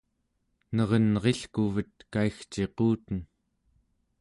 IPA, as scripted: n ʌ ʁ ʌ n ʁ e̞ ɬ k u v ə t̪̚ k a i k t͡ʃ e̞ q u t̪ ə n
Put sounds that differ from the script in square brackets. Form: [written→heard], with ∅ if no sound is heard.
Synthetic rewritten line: n ʌ ʁ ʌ n ʁ e̞ ɬ k u v ə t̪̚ k a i [k→x] t͡ʃ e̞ q [u→uː] t̪ ə n